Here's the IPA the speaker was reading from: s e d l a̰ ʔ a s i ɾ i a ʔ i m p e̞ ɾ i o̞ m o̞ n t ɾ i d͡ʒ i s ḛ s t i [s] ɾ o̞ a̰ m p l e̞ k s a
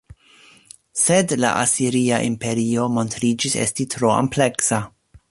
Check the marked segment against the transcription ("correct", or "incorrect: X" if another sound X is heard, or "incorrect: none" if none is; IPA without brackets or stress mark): incorrect: t